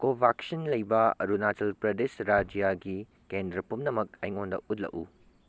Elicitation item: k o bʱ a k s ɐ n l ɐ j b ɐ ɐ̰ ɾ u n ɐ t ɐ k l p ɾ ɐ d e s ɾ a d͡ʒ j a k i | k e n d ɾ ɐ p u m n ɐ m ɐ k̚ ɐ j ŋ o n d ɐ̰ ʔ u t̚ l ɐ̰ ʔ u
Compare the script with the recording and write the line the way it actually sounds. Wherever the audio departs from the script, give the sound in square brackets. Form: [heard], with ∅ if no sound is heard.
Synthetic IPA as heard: k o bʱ a k s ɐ n l ɐ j b ɐ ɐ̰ ɾ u n [a] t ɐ [∅] l p ɾ ɐ d e s ɾ a d͡ʒ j a [ɡ] i | k e n d ɾ ɐ p u m n ɐ m ɐ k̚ ɐ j ŋ o n d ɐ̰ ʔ u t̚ l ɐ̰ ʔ u

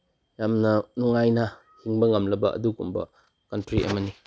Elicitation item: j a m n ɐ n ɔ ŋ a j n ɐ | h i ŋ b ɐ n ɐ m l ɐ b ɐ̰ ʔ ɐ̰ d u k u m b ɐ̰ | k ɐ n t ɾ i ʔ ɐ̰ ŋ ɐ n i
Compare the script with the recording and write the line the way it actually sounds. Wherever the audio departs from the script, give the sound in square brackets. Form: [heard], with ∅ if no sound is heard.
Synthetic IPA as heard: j a m n ɐ n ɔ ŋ a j n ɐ | h i ŋ b ɐ [ŋ] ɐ m l ɐ b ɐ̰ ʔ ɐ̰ d u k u m b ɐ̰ | k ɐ n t ɾ i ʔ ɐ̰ [m] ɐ n i

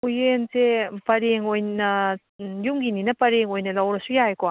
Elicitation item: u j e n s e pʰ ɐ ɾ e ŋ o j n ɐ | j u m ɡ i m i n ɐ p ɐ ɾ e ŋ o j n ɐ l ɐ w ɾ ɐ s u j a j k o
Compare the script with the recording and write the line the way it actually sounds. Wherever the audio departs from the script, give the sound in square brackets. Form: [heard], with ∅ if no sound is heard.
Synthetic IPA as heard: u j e n s e [p] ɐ ɾ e ŋ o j n ɐ | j u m ɡ i [n] i n ɐ p ɐ ɾ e ŋ o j n ɐ l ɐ w ɾ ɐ s u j a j k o

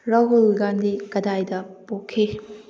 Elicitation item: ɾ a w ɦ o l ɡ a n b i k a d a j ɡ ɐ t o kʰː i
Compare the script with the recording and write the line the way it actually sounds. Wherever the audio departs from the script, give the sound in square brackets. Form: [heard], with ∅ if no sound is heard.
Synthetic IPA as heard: ɾ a w ɦ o l ɡ a n [d] i k [ɐ] d a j [d] ɐ [p] o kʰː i

